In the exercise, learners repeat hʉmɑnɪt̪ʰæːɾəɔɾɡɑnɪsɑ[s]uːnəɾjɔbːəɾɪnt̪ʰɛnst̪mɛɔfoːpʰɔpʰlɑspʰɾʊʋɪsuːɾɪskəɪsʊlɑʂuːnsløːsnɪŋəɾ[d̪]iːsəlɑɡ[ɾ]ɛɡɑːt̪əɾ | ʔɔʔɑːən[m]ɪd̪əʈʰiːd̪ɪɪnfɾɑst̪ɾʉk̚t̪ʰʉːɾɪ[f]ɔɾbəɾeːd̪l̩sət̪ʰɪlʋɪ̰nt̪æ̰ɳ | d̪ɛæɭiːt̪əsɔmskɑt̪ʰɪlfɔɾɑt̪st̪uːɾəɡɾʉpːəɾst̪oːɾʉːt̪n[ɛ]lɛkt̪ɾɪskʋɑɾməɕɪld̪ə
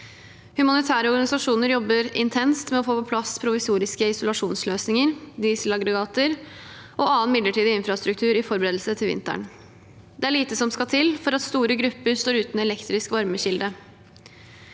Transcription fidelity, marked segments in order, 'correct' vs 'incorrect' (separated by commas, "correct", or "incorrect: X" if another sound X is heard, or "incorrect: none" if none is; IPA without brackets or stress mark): incorrect: ʂ, correct, correct, correct, correct, correct